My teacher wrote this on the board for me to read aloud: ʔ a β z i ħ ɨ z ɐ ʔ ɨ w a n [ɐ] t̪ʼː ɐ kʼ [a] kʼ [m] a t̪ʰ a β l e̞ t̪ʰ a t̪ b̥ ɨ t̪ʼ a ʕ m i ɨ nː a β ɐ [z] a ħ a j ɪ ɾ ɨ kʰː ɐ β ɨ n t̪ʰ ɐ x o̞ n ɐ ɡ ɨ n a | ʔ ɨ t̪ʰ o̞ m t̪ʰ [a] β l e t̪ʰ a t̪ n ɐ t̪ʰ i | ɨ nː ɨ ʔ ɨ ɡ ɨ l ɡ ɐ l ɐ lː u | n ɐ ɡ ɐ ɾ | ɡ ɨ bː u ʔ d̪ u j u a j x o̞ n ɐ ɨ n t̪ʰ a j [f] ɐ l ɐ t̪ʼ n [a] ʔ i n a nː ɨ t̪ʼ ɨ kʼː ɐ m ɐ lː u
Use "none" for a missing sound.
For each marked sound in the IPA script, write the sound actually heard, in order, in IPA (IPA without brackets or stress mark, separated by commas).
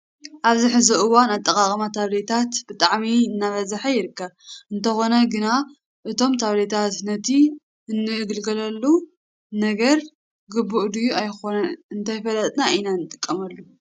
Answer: a, a, m, z, a, f, a